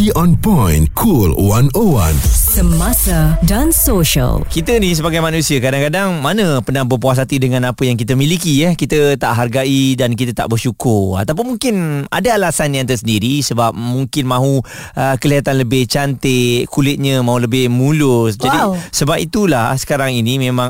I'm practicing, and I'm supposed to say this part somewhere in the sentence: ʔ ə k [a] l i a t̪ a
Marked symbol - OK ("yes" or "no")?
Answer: no